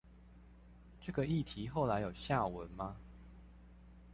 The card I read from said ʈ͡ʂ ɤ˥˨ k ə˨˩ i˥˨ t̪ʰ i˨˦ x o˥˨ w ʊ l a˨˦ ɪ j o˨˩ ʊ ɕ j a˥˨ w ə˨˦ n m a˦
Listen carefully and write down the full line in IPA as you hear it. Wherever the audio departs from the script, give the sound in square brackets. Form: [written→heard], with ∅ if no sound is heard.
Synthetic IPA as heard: ʈ͡ʂ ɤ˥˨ [k→ɡ] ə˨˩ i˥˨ t̪ʰ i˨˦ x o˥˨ [w→∅] ʊ l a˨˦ ɪ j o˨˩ ʊ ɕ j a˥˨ w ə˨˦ n m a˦